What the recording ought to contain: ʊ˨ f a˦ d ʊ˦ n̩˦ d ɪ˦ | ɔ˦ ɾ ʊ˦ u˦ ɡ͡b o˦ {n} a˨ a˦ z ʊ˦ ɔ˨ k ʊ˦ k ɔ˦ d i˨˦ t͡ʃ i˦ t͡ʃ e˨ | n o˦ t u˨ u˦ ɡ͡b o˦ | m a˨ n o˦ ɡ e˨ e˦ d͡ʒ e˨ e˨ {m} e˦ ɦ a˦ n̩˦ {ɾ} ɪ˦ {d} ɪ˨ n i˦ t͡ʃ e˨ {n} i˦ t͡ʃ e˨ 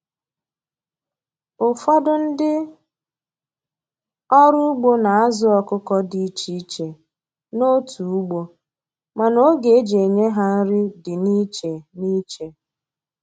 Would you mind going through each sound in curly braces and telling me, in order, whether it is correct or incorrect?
correct, incorrect: ɲ, correct, correct, correct

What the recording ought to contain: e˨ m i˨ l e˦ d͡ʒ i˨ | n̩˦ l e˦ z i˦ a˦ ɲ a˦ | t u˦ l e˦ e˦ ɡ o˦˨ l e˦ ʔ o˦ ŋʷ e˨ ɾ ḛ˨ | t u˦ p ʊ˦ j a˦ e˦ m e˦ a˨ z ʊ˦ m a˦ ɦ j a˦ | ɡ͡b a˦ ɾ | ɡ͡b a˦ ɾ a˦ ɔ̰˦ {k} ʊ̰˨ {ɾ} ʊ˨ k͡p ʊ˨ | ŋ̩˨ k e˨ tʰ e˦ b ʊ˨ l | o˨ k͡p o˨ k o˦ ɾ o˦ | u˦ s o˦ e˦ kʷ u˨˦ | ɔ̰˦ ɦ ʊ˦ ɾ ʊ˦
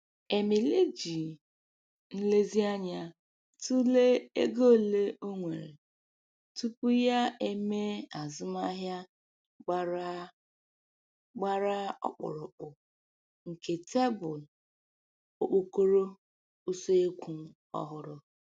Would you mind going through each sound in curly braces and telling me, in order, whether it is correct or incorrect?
incorrect: k͡p, correct

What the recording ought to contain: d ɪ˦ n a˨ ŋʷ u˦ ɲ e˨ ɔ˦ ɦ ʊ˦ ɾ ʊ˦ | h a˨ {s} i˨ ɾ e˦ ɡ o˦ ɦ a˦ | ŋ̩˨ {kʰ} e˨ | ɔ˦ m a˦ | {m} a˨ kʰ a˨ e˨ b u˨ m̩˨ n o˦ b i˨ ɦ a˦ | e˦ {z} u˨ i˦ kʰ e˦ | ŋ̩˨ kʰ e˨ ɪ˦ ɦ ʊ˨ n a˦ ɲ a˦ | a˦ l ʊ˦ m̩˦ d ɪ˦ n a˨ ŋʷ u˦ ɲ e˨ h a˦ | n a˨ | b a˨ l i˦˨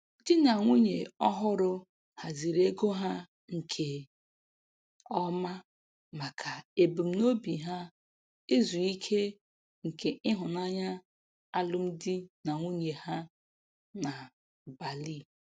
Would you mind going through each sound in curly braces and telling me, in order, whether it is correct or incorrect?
incorrect: z, correct, correct, correct

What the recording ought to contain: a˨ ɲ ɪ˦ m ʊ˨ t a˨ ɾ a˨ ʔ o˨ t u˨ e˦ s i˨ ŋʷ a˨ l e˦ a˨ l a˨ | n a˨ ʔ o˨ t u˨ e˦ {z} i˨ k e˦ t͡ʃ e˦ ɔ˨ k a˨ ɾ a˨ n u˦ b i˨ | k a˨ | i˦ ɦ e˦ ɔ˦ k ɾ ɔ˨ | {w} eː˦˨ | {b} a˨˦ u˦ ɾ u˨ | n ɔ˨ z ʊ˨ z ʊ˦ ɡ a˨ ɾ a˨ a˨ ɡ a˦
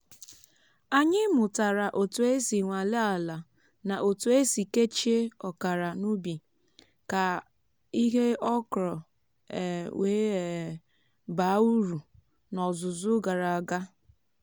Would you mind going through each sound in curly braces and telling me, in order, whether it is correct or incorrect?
incorrect: s, correct, correct

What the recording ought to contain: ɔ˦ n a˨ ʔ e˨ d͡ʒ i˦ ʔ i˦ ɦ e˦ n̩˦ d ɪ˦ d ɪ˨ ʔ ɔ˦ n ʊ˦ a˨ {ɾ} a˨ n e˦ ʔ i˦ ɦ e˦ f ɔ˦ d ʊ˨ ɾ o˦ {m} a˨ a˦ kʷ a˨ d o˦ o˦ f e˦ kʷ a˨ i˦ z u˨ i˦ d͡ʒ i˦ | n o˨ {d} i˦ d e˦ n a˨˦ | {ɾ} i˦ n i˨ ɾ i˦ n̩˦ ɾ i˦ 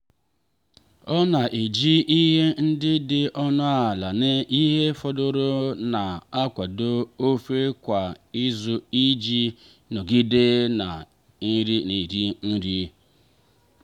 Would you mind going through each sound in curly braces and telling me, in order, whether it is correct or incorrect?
incorrect: l, incorrect: n, incorrect: ɡ, correct

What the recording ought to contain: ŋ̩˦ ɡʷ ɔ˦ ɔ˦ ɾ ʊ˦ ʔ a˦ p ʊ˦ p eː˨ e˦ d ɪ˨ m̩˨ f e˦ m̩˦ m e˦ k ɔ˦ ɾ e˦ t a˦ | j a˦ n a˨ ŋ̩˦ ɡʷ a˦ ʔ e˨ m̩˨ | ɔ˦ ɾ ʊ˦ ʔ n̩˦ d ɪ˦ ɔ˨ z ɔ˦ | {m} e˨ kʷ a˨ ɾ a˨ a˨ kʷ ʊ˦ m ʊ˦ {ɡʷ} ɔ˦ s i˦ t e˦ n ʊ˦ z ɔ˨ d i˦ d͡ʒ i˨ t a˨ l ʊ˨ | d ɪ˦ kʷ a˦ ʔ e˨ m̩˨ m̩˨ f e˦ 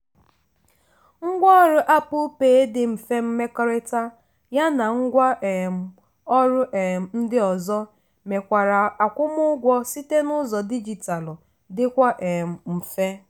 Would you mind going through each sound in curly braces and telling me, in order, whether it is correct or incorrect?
correct, correct

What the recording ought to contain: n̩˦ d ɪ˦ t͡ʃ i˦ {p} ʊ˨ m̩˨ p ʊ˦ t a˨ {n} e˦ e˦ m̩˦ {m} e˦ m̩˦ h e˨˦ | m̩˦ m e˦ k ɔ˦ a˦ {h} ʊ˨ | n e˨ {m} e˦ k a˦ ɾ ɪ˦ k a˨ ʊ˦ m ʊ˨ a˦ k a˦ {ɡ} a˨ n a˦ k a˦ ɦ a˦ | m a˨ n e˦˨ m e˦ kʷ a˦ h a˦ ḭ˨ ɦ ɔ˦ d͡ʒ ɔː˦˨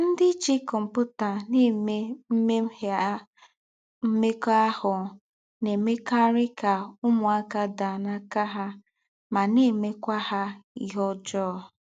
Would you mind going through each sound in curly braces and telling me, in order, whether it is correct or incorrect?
incorrect: k, correct, correct, correct, correct, incorrect: d

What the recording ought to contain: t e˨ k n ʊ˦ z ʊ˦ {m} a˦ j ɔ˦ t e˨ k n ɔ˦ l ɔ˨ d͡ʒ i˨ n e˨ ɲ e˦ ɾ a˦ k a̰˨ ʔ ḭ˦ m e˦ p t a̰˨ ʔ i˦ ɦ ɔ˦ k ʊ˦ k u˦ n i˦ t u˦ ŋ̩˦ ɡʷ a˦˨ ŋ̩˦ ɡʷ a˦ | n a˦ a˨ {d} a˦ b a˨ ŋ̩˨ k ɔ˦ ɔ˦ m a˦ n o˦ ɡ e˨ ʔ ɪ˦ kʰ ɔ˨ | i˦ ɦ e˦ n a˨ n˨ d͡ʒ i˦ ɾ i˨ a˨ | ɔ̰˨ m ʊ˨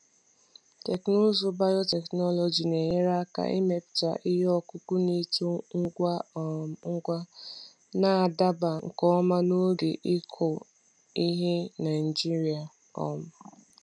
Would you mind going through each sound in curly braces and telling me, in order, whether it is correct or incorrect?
incorrect: b, correct

